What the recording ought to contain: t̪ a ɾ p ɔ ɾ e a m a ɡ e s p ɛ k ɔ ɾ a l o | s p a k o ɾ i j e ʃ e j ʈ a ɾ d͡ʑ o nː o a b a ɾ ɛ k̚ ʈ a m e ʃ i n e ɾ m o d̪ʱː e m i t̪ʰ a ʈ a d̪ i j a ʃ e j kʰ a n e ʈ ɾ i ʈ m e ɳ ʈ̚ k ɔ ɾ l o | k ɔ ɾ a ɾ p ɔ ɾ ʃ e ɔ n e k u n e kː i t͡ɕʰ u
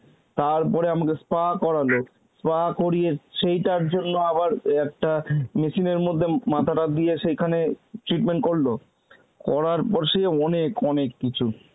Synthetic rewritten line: t̪ a ɾ p ɔ ɾ e a m a k e s p a k ɔ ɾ a l o | s p a k o ɾ i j e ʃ e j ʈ a ɾ d͡ʑ o nː o a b a ɾ ɛ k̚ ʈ a m e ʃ i n e ɾ m o d̪ʱː e m a t̪ʰ a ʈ a d̪ i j e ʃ e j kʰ a n e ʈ ɾ i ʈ m e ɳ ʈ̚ k o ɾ l o | k ɔ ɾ a ɾ p ɔ ɾ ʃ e ɔ n e k ɔ n e kː i t͡ɕʰ u

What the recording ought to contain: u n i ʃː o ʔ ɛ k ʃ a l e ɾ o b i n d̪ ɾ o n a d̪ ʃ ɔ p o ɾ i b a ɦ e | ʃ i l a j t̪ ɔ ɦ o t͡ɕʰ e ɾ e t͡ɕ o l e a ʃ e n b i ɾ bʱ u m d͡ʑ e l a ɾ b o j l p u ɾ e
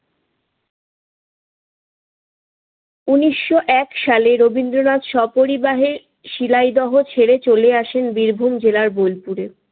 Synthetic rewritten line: u n i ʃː o ʔ ɛ k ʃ a l e ɾ o b i n d̪ ɾ o n a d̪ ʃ ɔ p o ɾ i b a ɦ e | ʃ i l a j d̪ ɔ ɦ o t͡ɕʰ e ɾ e t͡ɕ o l e a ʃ e n b i ɾ bʱ u m d͡ʑ e l a ɾ b o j l p u ɾ e

